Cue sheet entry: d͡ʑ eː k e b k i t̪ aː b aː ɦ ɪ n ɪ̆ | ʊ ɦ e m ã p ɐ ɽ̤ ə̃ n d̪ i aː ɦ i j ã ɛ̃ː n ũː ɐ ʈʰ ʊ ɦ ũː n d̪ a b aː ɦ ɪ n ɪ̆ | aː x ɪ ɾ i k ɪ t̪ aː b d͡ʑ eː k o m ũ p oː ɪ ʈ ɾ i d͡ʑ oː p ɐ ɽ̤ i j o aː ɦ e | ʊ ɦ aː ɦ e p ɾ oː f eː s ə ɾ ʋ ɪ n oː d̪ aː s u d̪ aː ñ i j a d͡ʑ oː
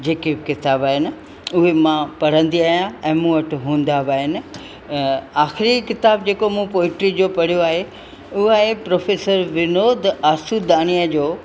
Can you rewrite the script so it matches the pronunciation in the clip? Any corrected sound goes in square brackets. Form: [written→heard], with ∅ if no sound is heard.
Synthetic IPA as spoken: d͡ʑ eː k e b k [i→ɪ] t̪ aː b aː ɦ ɪ n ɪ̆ | ʊ ɦ e m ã p ɐ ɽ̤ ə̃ n d̪ i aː ɦ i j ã ɛ̃ː [n→m] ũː ɐ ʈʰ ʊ ɦ ũː n d̪ a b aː ɦ ɪ n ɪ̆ | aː x ɪ ɾ i k ɪ t̪ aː b d͡ʑ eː k o m ũ p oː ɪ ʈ ɾ i d͡ʑ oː p ɐ ɽ̤ i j o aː ɦ e | ʊ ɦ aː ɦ e p ɾ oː f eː s ə ɾ ʋ ɪ n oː d̪ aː s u d̪ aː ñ i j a d͡ʑ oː